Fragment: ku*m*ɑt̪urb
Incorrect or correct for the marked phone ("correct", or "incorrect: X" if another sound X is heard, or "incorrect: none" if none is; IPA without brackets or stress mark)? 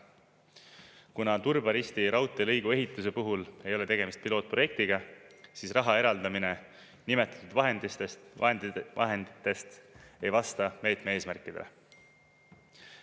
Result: incorrect: n